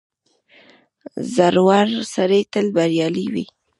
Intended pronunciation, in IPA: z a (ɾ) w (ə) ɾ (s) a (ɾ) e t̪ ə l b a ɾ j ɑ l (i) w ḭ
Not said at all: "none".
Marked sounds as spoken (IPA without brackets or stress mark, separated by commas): ɾ, a, s, ɾ, i